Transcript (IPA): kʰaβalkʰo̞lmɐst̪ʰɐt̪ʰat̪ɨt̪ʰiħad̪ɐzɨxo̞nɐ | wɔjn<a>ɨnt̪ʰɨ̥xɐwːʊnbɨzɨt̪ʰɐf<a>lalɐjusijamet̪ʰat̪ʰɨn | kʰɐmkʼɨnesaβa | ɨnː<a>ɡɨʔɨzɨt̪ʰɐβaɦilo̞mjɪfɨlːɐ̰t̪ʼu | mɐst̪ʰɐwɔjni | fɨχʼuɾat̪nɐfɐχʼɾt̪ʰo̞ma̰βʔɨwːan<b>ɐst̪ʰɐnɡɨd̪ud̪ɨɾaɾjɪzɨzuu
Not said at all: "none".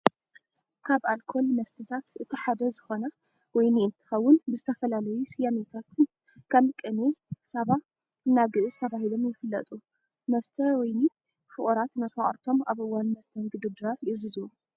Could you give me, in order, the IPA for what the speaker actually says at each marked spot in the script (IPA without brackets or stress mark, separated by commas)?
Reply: i, ɐ, a, m